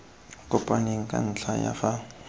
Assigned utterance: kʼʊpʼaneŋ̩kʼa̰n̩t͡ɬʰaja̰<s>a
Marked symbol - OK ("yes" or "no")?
no